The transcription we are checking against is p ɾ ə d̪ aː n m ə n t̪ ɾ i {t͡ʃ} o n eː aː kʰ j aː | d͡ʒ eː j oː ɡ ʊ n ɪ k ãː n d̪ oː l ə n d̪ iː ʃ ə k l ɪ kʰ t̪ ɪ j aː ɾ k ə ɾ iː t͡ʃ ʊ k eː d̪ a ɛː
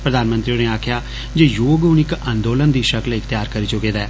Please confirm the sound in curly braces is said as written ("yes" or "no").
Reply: no